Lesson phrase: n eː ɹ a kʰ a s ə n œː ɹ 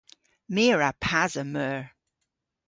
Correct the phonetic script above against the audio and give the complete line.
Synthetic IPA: m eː ɹ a pʰ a z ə m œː ɹ